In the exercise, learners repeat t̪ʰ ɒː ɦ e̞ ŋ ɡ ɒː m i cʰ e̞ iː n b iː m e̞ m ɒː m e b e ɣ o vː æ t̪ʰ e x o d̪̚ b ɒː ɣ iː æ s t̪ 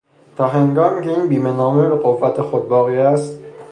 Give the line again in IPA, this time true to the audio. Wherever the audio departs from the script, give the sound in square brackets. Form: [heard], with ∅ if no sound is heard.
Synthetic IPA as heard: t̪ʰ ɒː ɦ e̞ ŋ ɡ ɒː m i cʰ e̞ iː n b iː m e̞ [n] ɒː m e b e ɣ o vː æ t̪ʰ e x o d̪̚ b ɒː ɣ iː æ s t̪